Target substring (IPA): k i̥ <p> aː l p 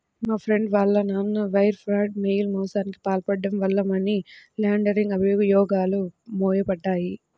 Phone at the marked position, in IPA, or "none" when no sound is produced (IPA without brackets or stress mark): p